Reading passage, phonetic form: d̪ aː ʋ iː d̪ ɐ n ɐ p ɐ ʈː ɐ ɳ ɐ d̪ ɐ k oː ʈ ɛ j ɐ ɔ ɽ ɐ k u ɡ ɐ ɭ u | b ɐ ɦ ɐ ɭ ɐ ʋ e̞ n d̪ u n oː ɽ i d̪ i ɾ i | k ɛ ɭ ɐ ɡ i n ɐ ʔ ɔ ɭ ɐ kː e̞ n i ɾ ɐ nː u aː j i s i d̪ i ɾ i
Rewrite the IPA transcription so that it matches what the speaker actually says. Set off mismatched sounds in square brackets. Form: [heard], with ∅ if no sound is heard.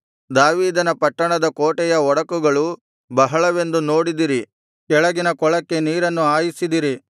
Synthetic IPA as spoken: d̪ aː ʋ iː d̪ ɐ n ɐ p ɐ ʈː ɐ ɳ ɐ d̪ ɐ k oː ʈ ɛ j ɐ ɔ ɽ ɐ k u ɡ ɐ ɭ u | b ɐ ɦ ɐ ɭ ɐ ʋ e̞ n d̪ u n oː ɽ i d̪ i ɾ i | k ɛ ɭ ɐ ɡ i n ɐ [k] ɔ ɭ ɐ kː e̞ n [iː] ɾ ɐ nː u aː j i s i d̪ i ɾ i